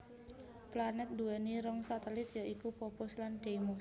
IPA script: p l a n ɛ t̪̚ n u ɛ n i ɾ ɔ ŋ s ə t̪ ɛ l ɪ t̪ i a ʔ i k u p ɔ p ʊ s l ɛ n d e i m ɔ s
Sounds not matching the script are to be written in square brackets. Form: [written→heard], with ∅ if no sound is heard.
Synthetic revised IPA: p l a n ɛ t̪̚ [n→d] u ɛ n i ɾ ɔ ŋ s [ə→a] t̪ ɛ l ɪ t̪ [i→j] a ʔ i k u p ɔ p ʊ s l [ɛ→a] n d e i m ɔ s